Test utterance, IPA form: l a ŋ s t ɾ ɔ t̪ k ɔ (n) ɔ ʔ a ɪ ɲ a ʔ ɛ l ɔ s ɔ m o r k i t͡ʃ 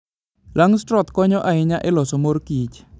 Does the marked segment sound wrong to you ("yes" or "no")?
yes